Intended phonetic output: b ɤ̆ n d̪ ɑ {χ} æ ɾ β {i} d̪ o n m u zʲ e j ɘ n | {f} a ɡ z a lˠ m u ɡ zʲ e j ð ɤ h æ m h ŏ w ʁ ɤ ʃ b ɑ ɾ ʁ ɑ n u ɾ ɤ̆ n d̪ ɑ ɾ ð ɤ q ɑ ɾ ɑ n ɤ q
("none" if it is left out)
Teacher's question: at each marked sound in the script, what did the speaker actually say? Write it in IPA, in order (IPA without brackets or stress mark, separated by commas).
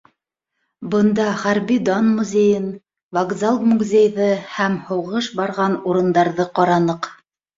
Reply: χ, i, v